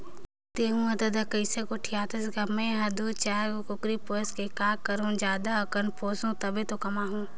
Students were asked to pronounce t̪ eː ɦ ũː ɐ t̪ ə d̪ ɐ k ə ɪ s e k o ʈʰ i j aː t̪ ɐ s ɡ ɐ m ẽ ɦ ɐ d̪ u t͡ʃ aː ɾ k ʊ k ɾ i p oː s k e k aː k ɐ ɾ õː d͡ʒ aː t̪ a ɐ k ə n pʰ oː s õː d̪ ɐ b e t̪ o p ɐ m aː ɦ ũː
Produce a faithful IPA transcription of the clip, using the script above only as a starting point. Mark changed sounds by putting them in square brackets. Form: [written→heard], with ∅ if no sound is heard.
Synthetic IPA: t̪ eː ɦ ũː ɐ [t̪→d̪] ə d̪ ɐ k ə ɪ s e k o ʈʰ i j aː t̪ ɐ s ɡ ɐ m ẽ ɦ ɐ d̪ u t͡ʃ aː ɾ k ʊ k ɾ i p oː s k e k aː k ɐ ɾ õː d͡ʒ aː [t̪→d̪] a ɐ k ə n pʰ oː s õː [d̪→t̪] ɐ b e t̪ o [p→k] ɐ m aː ɦ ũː